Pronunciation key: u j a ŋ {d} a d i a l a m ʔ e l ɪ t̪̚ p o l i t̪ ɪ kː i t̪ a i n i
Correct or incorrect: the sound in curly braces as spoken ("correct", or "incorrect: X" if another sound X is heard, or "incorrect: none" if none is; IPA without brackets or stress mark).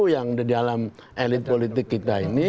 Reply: correct